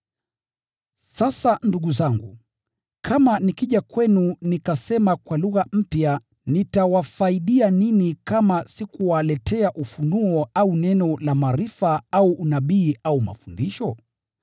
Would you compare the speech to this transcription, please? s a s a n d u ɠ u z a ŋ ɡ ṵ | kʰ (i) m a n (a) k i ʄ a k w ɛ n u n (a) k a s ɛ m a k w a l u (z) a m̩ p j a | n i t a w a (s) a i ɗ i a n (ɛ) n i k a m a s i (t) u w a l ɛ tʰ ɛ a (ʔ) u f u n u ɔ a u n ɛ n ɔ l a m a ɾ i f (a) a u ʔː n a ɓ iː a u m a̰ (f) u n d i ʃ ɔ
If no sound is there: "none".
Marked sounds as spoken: a, i, i, ɣ, f, i, k, ʔ, a, f

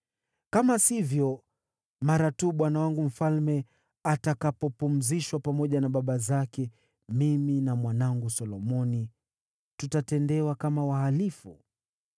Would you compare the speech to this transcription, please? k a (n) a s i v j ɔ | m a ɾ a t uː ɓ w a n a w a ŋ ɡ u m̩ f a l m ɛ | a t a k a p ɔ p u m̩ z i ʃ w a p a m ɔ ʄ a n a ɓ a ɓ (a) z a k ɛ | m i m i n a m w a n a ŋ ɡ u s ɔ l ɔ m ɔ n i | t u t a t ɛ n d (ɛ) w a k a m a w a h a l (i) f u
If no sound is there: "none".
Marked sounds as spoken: m, a, ɛ, i

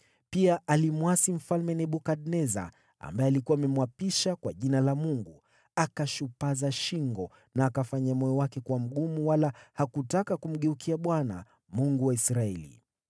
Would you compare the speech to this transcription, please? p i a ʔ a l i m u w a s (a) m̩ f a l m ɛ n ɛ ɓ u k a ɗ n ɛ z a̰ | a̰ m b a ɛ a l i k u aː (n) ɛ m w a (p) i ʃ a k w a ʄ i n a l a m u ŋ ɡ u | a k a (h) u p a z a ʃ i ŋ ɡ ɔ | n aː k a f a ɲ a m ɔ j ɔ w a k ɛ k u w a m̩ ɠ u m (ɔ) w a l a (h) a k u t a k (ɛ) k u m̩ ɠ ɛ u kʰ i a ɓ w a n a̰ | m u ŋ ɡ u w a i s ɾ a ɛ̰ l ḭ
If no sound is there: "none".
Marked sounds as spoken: i, m, p, ʃ, u, h, a

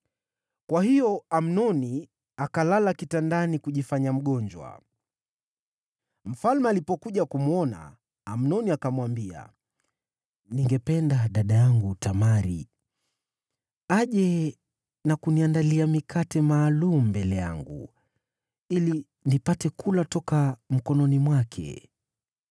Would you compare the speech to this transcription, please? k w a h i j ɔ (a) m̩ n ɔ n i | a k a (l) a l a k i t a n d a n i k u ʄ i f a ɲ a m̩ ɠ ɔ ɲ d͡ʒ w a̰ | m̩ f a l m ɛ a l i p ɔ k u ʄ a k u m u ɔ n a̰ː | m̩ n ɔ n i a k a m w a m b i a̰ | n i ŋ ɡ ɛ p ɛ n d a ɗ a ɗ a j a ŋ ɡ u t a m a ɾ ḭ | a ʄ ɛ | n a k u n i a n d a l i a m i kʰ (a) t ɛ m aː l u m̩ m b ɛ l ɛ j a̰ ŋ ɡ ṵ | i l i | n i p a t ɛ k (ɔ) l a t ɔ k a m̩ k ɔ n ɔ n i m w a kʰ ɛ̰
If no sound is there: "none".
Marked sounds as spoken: a, l, a, u

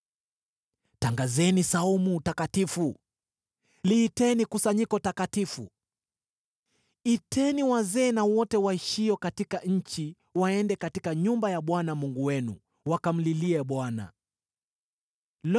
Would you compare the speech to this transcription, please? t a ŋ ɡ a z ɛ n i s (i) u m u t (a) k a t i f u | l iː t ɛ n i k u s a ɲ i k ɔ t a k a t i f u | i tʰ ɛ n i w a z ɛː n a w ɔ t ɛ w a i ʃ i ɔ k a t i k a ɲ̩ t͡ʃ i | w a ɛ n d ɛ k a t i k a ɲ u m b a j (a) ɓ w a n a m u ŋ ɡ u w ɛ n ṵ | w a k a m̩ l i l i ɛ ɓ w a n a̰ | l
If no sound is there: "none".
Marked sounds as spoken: a, a, a

